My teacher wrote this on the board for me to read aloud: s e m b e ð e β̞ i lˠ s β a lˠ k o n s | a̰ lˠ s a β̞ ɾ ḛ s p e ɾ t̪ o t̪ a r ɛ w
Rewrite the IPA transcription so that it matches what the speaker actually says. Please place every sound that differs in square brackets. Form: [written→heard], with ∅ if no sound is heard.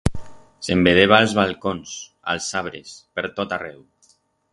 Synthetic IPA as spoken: s e m b e ð e β̞ [i→a] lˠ [s→z] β a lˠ k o n s | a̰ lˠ s a β̞ ɾ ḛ s p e ɾ t̪ o t̪ a r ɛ w